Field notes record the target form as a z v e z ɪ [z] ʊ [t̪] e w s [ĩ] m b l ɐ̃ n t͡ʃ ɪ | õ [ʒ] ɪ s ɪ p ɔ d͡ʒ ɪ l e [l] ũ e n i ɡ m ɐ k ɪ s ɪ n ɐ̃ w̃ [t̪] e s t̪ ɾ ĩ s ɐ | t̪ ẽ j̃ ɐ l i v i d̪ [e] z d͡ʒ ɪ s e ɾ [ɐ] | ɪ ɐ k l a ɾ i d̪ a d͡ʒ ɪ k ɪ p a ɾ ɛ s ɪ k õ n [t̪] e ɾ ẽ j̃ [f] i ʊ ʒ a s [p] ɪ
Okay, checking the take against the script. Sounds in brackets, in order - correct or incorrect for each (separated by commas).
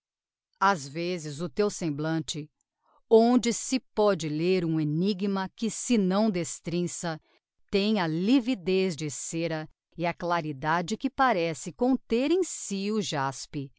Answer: correct, correct, incorrect, incorrect, incorrect, incorrect, correct, correct, correct, incorrect, correct